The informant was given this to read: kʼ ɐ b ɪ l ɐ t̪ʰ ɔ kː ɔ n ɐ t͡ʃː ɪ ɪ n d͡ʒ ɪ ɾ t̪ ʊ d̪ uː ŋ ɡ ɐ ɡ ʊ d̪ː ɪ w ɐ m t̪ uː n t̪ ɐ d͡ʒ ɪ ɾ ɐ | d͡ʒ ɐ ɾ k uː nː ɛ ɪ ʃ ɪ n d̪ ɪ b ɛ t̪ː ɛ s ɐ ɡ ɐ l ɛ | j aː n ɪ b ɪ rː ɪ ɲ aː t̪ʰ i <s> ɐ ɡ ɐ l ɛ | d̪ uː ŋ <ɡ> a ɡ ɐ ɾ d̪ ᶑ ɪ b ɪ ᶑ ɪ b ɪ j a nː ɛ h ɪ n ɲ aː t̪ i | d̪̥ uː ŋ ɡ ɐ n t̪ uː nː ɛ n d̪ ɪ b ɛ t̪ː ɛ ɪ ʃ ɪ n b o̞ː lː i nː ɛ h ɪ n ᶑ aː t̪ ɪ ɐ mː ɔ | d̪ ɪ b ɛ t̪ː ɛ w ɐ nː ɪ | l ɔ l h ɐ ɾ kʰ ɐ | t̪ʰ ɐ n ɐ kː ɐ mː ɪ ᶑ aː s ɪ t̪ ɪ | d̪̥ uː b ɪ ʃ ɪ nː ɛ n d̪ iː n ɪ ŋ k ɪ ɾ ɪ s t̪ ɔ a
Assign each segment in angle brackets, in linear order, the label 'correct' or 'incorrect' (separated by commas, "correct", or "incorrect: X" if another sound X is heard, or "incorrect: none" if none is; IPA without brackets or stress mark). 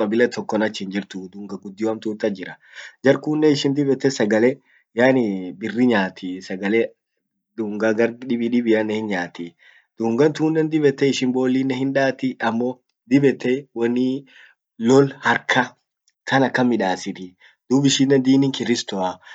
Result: correct, correct